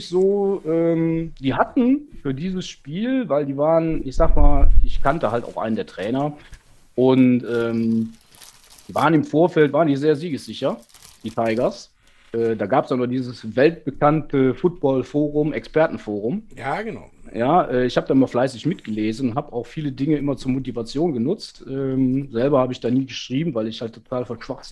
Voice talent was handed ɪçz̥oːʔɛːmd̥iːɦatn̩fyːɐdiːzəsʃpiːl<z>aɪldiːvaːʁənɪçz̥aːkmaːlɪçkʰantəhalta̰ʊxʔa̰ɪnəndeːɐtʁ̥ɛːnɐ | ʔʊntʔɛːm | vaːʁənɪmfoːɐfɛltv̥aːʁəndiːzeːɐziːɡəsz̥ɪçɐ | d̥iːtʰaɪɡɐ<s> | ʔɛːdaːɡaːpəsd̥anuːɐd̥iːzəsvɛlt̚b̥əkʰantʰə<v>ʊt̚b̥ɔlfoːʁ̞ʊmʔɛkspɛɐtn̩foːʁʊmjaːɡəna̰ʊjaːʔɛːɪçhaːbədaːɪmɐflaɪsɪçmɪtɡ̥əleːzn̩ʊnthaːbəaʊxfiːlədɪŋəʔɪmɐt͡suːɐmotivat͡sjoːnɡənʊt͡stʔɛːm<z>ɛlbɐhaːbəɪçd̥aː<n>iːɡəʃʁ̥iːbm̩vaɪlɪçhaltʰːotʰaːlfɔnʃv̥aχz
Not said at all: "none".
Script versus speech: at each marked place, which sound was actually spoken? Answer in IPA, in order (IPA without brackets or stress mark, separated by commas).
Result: v, s, f, z, n